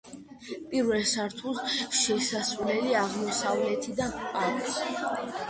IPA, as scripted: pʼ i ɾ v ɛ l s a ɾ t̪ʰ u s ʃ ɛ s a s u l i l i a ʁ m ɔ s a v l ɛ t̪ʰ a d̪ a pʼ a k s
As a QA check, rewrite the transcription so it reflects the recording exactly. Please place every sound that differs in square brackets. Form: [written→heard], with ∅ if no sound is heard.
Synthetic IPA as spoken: pʼ i ɾ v ɛ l s a ɾ t̪ʰ u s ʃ ɛ s a s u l [i→ɛ] l i a ʁ m ɔ s a v l ɛ t̪ʰ [a→i] d̪ a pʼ a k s